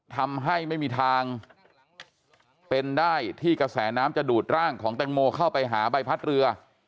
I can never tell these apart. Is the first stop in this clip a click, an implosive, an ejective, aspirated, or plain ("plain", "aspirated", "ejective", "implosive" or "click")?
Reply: aspirated